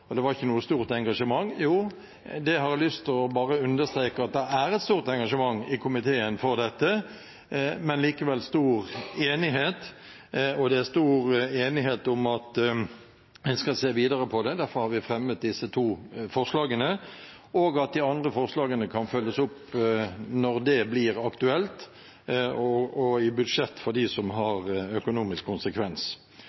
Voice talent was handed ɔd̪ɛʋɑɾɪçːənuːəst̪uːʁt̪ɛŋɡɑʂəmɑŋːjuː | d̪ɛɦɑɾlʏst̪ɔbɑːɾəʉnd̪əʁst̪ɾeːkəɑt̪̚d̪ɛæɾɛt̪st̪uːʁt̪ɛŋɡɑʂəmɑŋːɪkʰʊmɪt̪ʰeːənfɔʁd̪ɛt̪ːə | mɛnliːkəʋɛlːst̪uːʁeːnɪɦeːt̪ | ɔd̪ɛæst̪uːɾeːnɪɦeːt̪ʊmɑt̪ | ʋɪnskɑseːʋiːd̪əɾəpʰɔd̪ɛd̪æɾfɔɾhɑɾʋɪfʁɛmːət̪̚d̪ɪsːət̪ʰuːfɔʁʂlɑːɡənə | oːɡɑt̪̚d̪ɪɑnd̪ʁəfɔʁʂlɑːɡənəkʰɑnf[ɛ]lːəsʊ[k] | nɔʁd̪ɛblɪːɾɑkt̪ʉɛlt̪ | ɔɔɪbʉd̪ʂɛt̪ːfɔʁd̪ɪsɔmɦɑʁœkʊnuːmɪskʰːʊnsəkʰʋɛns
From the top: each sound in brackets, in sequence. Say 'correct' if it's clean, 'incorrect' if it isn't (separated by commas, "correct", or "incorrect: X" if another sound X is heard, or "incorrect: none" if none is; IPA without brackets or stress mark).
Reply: incorrect: œ, incorrect: p